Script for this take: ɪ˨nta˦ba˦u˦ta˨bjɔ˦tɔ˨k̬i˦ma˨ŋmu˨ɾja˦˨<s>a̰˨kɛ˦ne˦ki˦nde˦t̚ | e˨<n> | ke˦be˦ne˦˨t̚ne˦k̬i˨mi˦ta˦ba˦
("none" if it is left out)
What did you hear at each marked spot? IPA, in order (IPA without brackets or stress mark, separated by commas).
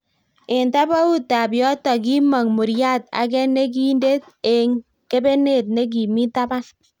t, ŋ